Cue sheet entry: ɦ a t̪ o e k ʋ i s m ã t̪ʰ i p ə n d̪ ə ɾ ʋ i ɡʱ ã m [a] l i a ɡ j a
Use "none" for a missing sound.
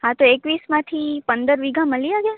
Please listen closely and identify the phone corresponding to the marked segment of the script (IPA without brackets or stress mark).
ə